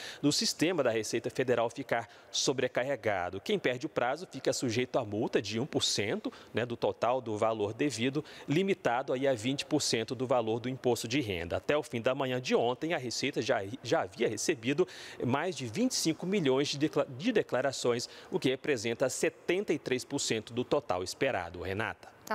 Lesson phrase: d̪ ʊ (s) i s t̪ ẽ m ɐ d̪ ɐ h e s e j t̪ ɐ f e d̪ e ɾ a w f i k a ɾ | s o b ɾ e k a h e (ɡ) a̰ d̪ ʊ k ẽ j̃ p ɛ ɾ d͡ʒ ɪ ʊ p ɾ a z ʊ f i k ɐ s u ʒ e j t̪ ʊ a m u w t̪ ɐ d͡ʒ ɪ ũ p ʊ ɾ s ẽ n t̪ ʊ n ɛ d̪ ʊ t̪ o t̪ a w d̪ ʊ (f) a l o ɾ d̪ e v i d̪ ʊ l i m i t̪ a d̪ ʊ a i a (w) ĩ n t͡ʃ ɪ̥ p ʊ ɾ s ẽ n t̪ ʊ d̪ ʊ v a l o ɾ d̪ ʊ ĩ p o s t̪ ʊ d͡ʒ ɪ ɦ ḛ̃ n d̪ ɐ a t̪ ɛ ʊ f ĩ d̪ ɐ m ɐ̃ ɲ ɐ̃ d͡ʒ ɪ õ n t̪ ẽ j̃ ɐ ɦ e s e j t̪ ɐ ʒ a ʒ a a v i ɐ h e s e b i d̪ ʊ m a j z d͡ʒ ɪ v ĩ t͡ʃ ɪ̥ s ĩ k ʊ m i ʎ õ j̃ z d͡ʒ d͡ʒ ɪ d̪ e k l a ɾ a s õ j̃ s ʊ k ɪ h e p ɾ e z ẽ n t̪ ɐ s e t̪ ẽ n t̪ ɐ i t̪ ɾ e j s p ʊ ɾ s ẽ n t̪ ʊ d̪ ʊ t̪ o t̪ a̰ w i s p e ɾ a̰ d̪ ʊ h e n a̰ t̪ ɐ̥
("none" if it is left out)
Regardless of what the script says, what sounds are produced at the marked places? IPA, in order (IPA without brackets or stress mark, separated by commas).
s, ɡ, v, v